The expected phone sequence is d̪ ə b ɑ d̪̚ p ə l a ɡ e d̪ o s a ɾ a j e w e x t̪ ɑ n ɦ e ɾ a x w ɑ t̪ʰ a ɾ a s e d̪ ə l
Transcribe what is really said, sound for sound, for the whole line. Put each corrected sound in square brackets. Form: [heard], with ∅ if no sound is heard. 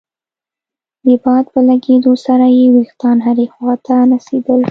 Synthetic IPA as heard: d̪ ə b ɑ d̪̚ p ə l a ɡ e d̪ o s a ɾ a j e w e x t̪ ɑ n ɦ [a] ɾ [e] x w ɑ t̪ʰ a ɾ a s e d̪ ə l